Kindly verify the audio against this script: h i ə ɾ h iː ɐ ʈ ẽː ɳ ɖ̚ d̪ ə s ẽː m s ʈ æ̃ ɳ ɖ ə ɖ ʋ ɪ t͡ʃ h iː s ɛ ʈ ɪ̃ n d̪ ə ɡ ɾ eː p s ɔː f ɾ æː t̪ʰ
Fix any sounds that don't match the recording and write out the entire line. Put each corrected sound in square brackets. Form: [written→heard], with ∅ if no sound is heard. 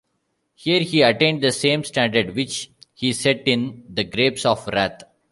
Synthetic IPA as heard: h i ə ɾ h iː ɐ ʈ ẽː ɳ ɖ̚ d̪ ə s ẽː m s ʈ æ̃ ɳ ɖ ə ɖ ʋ ɪ t͡ʃ h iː s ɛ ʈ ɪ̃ n d̪ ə ɡ ɾ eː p s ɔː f ɾ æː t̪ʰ